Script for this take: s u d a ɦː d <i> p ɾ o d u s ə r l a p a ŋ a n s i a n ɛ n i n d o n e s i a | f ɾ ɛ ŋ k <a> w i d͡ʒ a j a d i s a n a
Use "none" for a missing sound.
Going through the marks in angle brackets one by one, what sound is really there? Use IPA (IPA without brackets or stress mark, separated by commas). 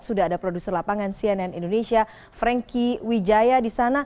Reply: a, i